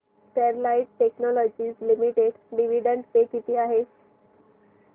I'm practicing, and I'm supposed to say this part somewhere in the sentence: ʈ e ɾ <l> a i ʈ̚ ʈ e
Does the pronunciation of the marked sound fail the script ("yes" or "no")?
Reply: no